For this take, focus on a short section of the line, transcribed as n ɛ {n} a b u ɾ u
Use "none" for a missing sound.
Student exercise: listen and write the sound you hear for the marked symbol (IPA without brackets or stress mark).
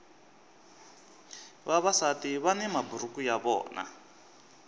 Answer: m